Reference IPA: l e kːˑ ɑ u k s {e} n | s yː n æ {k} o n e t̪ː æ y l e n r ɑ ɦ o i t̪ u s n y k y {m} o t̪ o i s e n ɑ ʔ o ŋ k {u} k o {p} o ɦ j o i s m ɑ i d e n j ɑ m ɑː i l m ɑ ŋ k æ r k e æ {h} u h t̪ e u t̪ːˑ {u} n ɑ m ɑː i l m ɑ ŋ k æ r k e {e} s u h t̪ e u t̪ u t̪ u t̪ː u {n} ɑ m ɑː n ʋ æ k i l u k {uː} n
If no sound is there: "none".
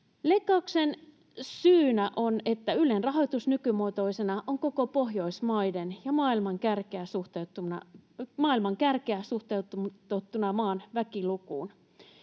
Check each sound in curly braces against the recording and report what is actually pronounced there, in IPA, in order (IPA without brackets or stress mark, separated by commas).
e, ʔ, m, o, p, s, u, æ, n, uː